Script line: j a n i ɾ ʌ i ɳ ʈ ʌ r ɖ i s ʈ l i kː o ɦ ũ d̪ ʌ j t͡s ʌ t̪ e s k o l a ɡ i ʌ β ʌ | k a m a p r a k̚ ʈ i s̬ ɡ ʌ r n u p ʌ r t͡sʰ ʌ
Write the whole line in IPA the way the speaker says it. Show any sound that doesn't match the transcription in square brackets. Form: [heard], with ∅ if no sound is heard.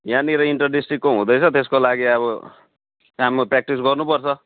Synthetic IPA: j a n i ɾ ʌ i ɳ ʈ ʌ r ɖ i s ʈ [r] i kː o ɦ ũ d̪ ʌ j [t͡sʰ] ʌ t̪ e s k o l a ɡ i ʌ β ʌ | k a m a p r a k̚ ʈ i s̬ ɡ ʌ r n u p ʌ r t͡sʰ ʌ

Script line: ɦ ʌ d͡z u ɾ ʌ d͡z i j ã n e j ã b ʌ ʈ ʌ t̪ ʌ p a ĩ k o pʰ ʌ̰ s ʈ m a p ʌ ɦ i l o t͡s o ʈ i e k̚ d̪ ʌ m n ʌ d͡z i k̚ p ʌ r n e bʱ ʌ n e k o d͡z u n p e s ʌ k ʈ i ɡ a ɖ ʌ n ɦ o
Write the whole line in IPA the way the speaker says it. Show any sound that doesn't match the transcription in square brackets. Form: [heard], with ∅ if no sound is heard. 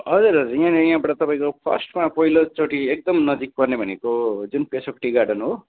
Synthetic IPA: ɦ ʌ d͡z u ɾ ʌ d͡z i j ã n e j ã b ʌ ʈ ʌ t̪ ʌ p a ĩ k o pʰ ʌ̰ s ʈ m a p ʌ ɦ i l o t͡s o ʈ i e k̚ d̪ ʌ m n ʌ d͡z i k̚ p ʌ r n e bʱ ʌ n e k o d͡z u n p e s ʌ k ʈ i ɡ a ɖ ʌ n ɦ o

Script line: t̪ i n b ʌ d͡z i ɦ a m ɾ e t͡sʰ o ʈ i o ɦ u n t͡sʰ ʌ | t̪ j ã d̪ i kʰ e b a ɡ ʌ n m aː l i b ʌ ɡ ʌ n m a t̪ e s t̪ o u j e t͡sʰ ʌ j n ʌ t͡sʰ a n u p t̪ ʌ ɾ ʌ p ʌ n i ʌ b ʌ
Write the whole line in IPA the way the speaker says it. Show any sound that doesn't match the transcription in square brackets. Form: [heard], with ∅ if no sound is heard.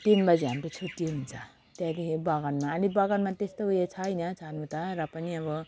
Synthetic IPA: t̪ i n b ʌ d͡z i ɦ a m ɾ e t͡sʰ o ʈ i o ɦ u n t͡sʰ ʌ | t̪ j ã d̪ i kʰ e b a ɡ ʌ n m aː l i b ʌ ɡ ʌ n m a t̪ e s t̪ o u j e t͡sʰ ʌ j n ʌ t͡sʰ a n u [∅] t̪ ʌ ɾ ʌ p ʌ n i ʌ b ʌ

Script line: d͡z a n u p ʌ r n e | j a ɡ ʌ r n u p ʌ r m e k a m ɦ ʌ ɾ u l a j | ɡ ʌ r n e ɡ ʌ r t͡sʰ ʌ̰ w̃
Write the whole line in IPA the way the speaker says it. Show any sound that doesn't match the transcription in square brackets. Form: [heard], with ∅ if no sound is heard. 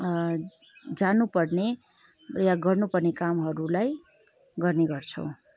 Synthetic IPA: d͡z a n u p ʌ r n e | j a ɡ ʌ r n u p ʌ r [n] e k a m ɦ ʌ ɾ u l a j | ɡ ʌ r n e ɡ ʌ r t͡sʰ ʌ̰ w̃

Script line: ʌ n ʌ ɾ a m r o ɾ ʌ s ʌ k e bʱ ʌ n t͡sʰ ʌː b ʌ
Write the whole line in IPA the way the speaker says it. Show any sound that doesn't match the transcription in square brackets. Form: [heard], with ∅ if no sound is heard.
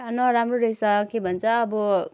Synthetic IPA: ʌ n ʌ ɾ a m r o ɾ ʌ s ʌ k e bʱ ʌ n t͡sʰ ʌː b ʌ

